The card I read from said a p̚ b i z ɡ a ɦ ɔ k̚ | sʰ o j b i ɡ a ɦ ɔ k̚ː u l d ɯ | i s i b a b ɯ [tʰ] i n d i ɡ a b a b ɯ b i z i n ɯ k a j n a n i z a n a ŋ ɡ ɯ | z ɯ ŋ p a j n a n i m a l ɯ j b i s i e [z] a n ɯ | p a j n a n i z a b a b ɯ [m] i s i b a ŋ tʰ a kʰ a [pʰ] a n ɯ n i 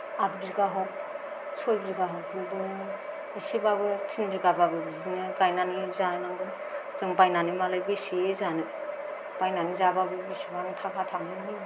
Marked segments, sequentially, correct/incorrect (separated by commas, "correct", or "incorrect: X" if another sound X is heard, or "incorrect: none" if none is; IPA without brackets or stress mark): correct, correct, incorrect: b, incorrect: tʰ